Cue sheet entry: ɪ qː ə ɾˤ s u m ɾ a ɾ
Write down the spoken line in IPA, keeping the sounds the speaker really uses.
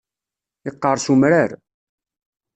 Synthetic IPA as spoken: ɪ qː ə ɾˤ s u m ɾ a ɾ